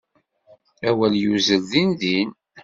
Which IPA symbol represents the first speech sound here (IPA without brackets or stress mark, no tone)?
æ